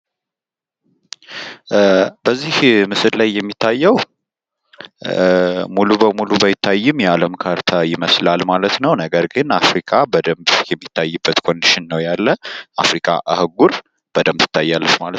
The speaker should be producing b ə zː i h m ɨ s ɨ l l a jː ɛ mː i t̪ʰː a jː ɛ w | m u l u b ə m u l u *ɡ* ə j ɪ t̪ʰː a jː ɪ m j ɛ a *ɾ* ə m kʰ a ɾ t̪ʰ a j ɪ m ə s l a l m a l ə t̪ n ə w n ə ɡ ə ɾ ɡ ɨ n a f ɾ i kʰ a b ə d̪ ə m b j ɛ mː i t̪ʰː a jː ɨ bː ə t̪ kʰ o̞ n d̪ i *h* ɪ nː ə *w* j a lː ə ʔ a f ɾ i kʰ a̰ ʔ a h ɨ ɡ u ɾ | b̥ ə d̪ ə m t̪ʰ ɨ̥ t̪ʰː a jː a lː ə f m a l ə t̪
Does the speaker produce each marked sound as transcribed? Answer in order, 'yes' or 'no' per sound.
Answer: no, no, no, yes

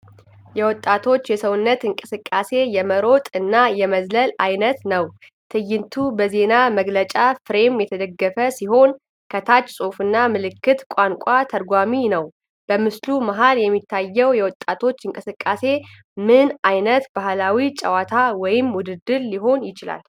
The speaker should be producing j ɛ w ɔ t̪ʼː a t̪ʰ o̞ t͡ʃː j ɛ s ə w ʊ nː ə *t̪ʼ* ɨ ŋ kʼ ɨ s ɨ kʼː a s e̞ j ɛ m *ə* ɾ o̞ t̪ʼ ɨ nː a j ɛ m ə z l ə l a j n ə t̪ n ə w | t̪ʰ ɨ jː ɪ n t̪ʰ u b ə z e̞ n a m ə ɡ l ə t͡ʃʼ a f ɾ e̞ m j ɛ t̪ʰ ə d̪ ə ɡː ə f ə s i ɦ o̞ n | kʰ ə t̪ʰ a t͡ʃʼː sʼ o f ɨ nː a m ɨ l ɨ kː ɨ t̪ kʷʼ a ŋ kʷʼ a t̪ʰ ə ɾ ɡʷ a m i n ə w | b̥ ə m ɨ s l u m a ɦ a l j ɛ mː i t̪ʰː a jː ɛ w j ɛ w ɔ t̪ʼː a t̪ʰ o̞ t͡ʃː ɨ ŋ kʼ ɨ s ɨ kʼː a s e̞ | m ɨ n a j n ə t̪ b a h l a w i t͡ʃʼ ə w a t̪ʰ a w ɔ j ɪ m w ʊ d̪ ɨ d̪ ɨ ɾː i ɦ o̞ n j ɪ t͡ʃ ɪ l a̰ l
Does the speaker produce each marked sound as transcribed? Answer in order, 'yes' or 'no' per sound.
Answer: no, yes

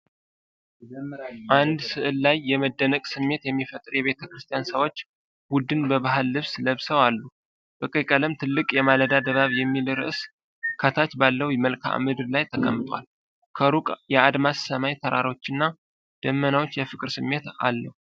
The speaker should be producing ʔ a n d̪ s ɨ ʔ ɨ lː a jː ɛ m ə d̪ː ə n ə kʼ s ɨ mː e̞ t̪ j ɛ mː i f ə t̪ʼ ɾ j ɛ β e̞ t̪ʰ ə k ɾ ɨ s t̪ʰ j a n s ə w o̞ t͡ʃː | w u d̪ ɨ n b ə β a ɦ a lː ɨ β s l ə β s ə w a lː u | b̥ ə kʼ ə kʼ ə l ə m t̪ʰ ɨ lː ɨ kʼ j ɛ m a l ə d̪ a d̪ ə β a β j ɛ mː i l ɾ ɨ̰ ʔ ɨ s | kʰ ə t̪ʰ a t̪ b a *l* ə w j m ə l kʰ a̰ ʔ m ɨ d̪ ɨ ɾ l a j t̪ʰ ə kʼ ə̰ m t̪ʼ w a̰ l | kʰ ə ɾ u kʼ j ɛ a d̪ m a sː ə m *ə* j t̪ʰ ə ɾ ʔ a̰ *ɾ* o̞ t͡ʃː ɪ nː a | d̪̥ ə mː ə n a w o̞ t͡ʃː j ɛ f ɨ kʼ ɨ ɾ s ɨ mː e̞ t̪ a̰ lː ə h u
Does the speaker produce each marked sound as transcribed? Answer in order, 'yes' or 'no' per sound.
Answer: no, no, yes

